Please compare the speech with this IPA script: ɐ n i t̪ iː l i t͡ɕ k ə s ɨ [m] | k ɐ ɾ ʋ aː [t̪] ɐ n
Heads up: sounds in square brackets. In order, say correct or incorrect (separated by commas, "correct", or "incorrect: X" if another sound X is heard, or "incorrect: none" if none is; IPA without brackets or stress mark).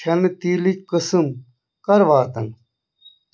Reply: correct, correct